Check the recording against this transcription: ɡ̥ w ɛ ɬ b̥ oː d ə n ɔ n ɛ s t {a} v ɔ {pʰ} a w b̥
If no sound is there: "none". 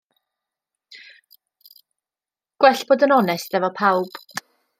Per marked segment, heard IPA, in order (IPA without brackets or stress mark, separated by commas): ɛ, pʰ